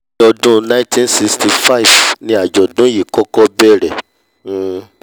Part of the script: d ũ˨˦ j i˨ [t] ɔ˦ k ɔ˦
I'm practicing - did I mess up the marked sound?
yes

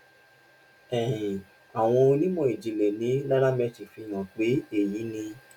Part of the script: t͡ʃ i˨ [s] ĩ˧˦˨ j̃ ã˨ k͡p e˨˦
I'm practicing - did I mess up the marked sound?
yes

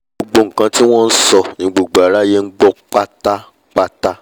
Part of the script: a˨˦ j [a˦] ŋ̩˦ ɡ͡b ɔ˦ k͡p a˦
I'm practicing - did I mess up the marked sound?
yes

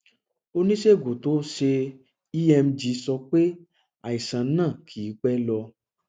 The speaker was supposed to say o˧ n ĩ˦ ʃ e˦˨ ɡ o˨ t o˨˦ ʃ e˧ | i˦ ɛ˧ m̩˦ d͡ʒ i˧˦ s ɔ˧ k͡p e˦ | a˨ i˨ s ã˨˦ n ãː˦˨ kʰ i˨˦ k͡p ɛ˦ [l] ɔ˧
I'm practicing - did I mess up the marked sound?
no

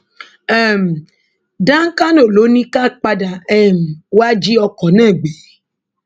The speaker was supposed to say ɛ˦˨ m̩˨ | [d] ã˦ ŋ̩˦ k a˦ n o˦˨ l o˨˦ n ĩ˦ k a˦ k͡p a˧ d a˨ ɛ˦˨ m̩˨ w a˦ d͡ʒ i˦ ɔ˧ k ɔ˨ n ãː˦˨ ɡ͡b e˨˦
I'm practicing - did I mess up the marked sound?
no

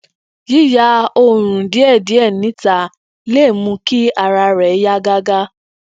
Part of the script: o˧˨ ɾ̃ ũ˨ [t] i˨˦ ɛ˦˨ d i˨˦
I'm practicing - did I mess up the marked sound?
yes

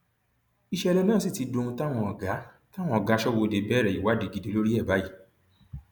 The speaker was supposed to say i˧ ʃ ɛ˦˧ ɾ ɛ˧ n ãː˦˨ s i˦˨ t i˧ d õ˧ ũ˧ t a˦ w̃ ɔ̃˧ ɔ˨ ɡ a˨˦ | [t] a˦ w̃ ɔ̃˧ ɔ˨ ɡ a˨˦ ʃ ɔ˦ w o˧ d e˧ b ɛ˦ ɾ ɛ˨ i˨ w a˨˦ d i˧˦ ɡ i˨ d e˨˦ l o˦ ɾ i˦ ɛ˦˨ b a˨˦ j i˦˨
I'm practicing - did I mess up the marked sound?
no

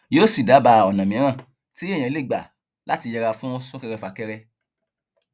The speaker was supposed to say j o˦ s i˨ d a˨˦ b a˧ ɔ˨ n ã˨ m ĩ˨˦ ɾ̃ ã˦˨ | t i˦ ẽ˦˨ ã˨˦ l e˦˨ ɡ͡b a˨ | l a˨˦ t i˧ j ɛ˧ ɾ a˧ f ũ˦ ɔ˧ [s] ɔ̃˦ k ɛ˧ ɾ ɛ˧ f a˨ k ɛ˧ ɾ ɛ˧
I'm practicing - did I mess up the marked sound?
no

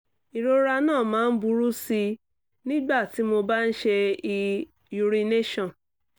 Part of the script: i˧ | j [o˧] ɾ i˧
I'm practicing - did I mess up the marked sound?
yes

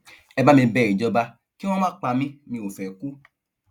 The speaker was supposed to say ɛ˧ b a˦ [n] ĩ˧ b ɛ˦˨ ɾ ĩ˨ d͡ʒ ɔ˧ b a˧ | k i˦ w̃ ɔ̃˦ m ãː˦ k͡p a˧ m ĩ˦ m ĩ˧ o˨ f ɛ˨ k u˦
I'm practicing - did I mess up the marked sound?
yes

